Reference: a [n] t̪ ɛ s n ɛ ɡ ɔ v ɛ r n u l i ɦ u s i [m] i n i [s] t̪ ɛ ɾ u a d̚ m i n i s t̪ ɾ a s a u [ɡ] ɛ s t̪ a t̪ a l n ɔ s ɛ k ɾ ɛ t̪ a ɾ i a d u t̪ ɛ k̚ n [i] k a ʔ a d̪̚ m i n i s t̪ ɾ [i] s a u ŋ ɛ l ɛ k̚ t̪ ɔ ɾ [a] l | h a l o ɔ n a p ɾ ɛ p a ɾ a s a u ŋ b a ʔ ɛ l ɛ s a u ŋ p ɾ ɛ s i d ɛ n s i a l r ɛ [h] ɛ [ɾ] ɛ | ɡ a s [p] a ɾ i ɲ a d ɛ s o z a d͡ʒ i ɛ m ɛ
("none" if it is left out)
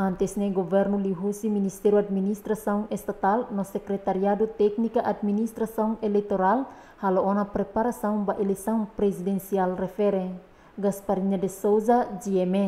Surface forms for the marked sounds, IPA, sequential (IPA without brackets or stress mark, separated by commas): n, m, s, ŋ, i, a, a, f, ɾ, p